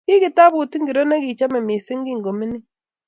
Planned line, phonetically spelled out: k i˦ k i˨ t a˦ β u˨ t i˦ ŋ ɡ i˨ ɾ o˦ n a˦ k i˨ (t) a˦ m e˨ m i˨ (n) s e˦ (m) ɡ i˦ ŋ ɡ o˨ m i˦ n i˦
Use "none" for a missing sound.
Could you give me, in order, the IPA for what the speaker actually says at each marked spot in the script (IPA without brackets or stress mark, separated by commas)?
t͡ʃ, none, ŋ